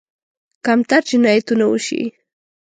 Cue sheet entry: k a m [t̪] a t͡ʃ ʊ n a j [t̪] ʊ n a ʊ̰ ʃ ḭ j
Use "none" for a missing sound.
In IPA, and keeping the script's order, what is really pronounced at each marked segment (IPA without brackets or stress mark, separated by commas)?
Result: t̪, t̪